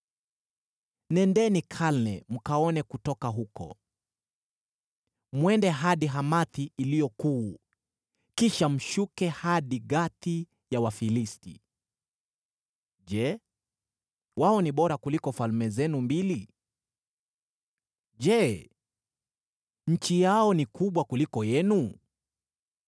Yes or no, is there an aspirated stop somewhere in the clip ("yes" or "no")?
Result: yes